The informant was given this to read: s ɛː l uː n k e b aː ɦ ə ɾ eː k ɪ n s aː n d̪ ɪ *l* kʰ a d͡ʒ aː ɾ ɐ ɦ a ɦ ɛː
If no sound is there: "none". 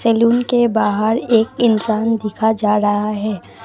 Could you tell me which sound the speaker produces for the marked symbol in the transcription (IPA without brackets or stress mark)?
none